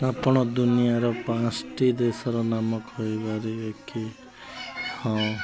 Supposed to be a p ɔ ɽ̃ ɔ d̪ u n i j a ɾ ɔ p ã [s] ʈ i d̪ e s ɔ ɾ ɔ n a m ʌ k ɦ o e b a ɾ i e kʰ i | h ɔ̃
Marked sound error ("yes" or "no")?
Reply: no